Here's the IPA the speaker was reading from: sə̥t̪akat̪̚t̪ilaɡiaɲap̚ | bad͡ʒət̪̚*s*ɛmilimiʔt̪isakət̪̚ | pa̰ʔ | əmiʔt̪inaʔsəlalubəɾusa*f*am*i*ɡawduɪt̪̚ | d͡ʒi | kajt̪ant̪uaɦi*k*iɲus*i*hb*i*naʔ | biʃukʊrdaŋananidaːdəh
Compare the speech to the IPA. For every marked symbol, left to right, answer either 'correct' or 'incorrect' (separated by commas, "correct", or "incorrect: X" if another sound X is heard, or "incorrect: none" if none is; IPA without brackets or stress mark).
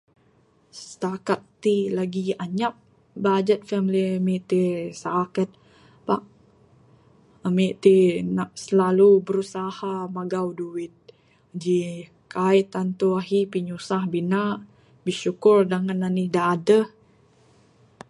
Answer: incorrect: f, incorrect: h, incorrect: a, incorrect: p, incorrect: a, correct